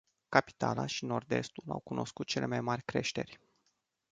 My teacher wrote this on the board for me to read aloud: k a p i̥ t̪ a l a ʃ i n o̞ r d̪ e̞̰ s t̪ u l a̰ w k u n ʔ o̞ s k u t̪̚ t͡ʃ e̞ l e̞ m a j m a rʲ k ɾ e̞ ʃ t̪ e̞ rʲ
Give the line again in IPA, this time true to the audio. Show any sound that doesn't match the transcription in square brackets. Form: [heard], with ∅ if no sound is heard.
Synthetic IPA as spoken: k a p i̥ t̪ a l a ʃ i n o̞ r d̪ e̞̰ s t̪ u l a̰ w k u n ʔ o̞ s k u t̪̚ t͡ʃ e̞ l e̞ m a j m a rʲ k ɾ e̞ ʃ t̪ e̞ rʲ